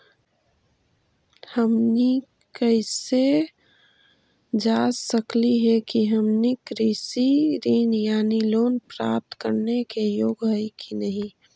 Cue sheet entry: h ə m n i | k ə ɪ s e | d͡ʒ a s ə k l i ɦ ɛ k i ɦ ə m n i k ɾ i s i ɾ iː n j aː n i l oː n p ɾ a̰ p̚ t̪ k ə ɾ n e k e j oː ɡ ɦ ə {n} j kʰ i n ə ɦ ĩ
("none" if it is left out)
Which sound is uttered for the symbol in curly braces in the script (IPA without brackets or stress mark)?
none